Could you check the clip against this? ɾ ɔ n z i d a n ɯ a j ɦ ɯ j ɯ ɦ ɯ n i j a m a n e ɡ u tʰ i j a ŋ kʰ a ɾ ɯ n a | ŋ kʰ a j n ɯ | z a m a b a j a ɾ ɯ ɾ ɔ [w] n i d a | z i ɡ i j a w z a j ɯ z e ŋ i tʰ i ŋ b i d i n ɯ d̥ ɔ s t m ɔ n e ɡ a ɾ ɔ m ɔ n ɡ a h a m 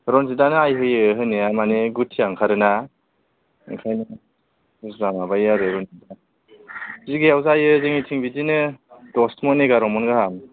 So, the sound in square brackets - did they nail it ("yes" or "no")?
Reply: no